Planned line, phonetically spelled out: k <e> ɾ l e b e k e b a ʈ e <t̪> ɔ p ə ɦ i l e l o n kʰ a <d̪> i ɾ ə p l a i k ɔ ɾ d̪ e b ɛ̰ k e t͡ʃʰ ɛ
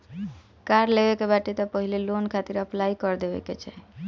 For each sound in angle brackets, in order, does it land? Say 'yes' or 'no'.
no, yes, no

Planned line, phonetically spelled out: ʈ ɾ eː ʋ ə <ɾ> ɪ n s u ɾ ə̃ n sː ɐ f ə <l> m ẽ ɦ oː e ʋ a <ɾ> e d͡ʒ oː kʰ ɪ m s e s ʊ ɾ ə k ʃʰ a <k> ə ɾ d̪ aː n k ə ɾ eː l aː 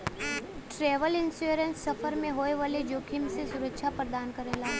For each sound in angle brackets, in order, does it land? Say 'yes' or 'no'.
no, no, no, no

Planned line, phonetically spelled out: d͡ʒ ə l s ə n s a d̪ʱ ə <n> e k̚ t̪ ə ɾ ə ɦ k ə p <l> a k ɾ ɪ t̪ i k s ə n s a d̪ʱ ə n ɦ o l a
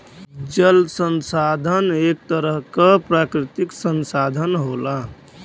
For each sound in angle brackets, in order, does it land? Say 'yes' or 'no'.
yes, no

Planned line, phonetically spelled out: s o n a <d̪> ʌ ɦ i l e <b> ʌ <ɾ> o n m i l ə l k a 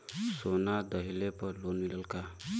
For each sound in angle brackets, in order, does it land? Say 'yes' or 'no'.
yes, no, no

